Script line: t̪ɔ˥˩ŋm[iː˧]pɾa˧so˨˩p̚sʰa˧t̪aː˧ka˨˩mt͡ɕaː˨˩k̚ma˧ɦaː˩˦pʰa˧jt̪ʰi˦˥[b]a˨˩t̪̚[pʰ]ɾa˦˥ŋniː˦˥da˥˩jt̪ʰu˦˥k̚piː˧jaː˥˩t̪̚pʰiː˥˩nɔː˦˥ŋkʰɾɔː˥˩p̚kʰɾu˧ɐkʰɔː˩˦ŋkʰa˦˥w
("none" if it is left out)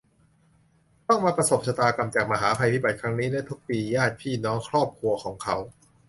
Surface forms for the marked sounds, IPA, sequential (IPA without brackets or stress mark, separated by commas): aː˧, b, kʰ